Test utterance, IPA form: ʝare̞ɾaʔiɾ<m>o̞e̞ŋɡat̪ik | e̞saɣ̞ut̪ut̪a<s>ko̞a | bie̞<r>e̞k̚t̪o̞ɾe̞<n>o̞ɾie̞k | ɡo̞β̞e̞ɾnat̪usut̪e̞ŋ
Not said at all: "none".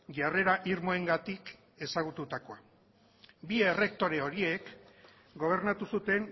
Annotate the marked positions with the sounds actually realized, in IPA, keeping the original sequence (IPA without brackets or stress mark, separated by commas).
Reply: m, none, r, none